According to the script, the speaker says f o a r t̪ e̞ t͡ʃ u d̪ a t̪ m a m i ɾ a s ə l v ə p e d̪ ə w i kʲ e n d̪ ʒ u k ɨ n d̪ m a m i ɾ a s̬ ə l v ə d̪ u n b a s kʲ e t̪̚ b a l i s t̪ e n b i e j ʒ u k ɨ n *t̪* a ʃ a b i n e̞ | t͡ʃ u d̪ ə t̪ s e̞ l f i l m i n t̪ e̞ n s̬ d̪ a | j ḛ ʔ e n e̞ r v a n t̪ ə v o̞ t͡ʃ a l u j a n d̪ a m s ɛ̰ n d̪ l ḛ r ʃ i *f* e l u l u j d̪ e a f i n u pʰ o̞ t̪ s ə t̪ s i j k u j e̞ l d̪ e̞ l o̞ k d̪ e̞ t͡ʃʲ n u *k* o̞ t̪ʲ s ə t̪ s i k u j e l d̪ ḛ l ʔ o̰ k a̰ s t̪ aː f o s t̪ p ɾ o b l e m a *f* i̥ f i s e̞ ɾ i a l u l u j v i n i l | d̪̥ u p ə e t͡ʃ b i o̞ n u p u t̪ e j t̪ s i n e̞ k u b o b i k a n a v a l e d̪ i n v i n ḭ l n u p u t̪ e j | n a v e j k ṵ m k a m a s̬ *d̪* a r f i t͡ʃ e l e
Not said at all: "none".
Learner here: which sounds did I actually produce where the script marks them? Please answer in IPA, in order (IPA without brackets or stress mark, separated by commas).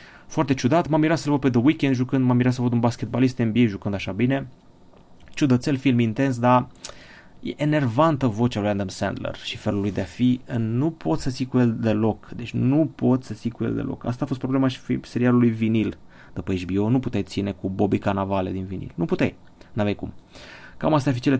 d̪, f, p, ʃ, t̪